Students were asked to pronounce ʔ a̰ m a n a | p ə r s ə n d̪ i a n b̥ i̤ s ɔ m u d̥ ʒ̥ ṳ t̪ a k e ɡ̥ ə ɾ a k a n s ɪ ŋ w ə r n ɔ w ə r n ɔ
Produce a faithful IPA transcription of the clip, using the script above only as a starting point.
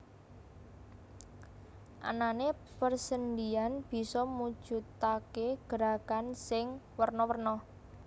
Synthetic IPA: ʔ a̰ n a n e | p ə r s ə n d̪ i a n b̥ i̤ s ɔ m u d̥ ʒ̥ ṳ t̪ a k e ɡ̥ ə ɾ a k a n s ɪ ŋ w ə r n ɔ w ə r n ɔ